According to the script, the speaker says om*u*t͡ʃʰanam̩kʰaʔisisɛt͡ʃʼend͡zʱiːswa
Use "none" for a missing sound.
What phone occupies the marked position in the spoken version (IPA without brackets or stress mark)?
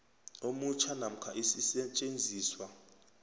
u